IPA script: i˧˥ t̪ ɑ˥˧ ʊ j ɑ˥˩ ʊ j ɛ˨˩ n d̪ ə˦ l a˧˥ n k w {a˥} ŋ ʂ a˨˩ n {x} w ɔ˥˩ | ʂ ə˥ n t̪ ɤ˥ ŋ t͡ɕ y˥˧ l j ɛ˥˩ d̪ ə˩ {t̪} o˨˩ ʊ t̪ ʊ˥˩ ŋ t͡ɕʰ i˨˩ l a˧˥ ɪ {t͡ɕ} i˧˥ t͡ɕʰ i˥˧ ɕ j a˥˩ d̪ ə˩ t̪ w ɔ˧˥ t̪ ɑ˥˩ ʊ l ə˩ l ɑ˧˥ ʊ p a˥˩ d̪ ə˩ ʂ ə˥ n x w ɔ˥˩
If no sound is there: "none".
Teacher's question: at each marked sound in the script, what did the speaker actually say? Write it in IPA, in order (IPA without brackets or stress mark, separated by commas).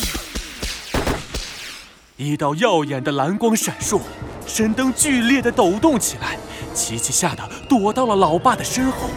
ɑ˥, ʂ, t̪, t͡ɕʰ